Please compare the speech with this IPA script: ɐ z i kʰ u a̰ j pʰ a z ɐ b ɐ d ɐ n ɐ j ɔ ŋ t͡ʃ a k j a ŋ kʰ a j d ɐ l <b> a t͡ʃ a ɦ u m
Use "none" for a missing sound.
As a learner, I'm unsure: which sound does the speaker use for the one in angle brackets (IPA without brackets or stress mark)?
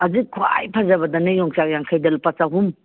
p